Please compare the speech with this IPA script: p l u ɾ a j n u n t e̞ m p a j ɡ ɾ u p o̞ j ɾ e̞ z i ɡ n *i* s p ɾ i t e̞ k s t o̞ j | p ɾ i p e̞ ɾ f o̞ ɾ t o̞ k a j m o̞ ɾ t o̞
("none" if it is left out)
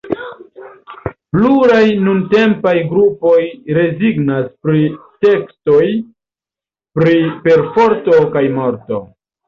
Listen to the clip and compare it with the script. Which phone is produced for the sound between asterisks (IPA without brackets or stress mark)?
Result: a